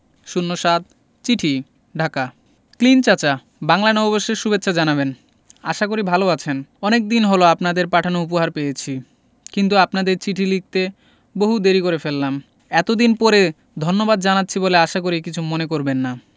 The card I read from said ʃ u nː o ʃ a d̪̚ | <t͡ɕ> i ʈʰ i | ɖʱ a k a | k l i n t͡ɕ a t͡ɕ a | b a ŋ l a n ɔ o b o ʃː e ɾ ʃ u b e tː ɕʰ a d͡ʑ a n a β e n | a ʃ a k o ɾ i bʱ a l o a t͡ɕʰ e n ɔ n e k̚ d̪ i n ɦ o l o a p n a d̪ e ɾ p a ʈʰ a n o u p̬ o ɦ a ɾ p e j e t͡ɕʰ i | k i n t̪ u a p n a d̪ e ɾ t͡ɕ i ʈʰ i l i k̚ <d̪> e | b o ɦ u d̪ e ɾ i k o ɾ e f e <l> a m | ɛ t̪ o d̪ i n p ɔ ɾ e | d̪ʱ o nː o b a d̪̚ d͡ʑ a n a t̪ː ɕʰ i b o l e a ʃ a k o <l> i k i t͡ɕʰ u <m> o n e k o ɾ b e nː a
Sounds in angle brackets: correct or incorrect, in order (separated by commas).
correct, incorrect, incorrect, incorrect, correct